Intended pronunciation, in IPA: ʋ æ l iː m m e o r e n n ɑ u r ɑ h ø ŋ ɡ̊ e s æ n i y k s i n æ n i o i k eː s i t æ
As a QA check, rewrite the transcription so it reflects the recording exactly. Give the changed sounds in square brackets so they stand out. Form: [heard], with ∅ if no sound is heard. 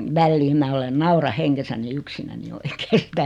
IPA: ʋ æ [lː] iː m m [æ] o [l] e n n ɑ u r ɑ h [e] ŋ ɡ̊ e s æ n i y k s i n æ n i o i k eː s i t æ